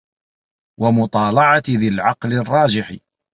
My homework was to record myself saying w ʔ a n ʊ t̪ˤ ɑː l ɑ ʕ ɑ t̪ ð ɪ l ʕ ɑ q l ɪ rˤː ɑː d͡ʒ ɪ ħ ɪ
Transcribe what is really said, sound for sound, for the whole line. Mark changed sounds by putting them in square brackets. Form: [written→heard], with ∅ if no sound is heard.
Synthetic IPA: w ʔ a [n→m] ʊ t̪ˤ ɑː l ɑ ʕ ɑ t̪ ð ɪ l ʕ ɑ q l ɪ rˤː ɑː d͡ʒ ɪ ħ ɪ